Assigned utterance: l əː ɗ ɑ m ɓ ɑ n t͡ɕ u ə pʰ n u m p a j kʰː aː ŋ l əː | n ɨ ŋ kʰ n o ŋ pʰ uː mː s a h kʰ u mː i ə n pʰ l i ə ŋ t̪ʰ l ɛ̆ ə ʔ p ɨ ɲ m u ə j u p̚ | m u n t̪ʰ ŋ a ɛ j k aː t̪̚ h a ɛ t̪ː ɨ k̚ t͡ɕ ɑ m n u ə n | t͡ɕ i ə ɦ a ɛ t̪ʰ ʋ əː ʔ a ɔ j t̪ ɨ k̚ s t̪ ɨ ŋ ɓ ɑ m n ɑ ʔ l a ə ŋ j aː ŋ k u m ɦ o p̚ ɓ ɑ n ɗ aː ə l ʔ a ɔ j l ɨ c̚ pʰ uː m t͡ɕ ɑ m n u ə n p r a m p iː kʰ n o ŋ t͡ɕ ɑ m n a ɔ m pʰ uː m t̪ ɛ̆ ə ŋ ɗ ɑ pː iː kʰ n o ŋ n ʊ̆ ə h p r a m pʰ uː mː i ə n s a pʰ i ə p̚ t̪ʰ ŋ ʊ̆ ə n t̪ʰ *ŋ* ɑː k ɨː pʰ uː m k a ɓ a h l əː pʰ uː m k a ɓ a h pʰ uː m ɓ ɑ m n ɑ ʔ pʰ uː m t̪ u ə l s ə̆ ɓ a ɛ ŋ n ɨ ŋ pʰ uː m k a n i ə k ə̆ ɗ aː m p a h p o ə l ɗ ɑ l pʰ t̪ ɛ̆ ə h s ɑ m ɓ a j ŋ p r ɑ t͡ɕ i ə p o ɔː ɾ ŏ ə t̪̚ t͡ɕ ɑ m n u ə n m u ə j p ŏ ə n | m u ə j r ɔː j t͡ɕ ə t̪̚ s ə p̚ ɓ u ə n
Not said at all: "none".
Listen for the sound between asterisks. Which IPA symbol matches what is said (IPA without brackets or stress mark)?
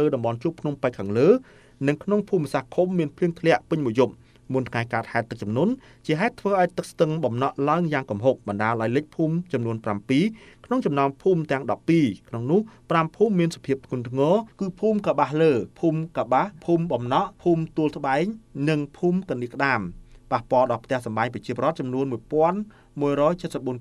ŋ